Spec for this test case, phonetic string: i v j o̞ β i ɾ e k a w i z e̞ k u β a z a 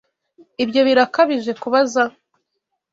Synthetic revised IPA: i b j o̞ β i ɾ a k a β i ʒ e̞ k u β a z a